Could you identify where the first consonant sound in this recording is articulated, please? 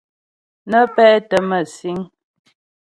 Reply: alveolar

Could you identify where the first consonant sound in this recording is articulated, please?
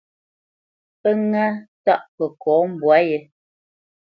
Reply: labial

